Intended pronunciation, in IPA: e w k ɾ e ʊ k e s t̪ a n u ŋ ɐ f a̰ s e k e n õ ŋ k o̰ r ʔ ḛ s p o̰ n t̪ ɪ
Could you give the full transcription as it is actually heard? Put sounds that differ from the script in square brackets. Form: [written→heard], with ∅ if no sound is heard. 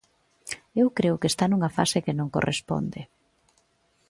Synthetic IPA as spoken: e w k ɾ e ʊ k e s t̪ a n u ŋ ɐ f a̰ s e k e n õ ŋ k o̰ r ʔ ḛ s p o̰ n [t̪→d̪] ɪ